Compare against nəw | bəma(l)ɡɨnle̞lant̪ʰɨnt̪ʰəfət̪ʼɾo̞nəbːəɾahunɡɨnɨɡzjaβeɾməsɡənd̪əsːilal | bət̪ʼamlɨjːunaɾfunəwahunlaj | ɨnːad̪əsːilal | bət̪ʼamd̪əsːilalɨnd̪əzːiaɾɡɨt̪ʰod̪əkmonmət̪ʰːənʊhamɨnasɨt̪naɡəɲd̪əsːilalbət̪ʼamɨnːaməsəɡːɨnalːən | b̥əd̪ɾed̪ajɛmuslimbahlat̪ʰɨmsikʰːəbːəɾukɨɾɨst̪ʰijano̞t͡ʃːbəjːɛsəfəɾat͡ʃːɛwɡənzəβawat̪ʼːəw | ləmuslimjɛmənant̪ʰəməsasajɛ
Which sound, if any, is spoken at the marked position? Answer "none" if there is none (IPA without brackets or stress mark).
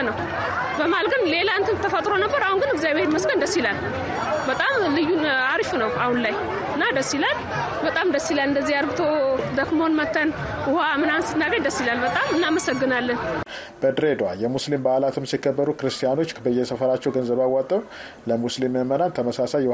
l